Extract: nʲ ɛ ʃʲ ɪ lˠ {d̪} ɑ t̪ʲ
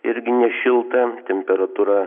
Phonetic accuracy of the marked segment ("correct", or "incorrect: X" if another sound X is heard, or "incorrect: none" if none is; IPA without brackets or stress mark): incorrect: t̪